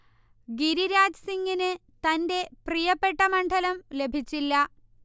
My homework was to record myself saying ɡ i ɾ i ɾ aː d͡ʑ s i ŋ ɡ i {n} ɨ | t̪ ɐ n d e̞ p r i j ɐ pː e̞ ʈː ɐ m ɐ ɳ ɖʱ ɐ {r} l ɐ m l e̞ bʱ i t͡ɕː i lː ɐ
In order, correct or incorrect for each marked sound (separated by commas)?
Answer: correct, incorrect